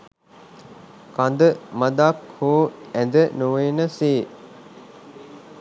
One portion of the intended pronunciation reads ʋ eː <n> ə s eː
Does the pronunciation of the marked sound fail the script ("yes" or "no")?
no